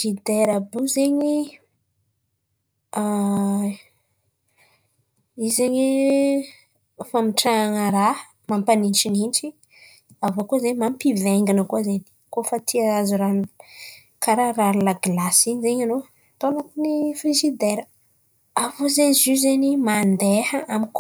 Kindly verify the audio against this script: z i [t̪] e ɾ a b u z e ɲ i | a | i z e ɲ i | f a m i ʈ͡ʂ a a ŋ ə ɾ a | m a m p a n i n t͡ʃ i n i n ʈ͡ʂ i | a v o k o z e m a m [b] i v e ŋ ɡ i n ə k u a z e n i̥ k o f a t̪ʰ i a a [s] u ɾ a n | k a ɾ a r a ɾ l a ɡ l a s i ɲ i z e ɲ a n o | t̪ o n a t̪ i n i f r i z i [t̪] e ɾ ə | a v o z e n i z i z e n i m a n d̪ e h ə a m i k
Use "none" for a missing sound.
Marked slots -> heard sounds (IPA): d̪, p, z, d̪

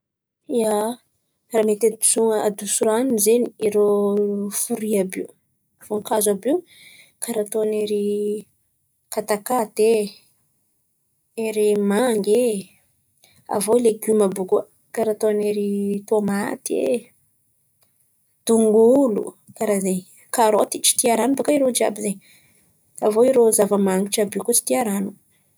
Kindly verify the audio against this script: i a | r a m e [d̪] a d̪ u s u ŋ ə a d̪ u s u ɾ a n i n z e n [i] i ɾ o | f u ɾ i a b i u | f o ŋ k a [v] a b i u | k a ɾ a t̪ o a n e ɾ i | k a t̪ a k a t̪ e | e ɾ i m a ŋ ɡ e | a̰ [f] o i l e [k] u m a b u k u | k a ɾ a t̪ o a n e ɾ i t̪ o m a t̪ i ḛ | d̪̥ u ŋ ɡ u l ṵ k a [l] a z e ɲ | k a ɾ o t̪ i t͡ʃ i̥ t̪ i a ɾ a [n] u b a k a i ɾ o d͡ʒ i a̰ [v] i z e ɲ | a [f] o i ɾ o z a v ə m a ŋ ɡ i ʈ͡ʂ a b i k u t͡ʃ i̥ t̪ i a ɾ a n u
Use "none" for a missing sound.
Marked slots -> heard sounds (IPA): t̪, i, z, v, ɡ, ɾ, n, b, v

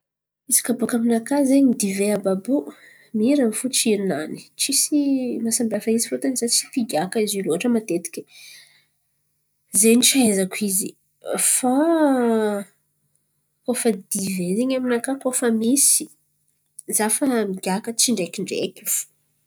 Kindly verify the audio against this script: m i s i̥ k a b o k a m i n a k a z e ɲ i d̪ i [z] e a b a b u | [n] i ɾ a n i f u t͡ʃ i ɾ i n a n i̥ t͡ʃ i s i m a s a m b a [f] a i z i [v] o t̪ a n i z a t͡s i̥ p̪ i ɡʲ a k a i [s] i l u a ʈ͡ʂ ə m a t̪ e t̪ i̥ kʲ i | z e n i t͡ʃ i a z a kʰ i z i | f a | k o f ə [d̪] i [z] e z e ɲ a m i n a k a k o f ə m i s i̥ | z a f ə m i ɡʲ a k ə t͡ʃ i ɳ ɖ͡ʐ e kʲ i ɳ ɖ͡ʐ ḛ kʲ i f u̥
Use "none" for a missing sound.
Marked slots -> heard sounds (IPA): v, m, f, f, z, d̪, v

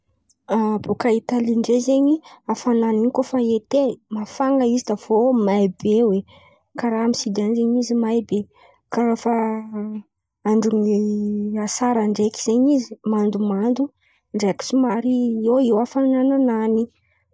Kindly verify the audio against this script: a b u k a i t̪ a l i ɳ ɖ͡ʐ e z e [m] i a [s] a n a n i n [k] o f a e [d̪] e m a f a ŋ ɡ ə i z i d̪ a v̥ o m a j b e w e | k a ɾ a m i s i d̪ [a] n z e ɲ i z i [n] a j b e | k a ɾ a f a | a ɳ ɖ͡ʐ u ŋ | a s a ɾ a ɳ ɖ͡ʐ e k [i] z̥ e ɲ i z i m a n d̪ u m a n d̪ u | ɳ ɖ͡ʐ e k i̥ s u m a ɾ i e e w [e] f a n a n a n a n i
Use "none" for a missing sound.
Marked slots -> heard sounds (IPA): ɲ, f, k, t̪, a, m, i, a

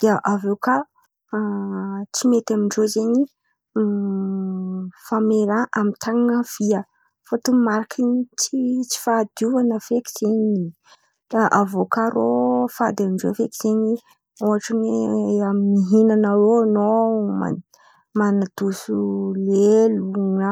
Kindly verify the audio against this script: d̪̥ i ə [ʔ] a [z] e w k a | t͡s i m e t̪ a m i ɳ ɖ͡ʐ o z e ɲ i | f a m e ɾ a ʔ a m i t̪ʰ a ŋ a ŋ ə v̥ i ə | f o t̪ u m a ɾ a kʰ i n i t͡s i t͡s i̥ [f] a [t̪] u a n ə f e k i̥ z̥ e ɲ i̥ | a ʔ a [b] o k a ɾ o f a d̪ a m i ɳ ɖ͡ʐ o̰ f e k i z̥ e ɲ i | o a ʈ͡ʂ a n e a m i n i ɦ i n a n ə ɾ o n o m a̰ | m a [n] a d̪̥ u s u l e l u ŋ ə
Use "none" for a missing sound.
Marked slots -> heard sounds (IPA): ʔ, v, f, d̪, v, n

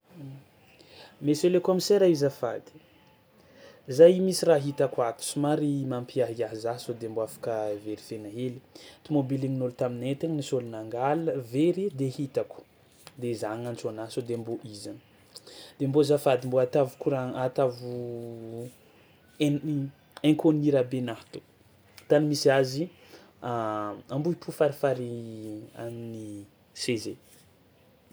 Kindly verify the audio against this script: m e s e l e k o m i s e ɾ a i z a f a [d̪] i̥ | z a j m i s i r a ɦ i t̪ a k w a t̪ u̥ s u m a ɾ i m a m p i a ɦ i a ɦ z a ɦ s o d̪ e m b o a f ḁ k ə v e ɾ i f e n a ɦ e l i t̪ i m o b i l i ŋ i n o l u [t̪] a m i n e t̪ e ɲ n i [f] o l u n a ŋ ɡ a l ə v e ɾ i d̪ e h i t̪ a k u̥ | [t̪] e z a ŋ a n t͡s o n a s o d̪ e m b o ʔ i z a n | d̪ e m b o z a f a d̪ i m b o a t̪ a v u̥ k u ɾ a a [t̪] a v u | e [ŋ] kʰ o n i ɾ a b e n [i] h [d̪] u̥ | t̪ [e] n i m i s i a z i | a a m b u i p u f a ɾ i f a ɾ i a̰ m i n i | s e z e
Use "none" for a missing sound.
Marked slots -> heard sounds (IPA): d̪, t̪, s, d̪, t̪, ŋ, a, t̪, a

